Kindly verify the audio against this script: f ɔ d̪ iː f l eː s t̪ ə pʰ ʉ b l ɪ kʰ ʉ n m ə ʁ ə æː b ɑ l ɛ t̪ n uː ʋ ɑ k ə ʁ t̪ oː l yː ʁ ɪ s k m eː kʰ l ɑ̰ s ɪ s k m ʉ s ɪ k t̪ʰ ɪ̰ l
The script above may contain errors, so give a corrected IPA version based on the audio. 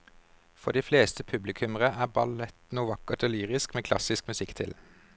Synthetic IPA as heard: f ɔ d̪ iː f l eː s t̪ ə pʰ ʉ b l ɪ kʰ ʉ m ə ʁ ə æː b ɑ l ɛ t̪ n uː ʋ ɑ k ə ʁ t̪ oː l yː ʁ ɪ s k m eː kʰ l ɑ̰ s ɪ s k m ʉ s ɪ k t̪ʰ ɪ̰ l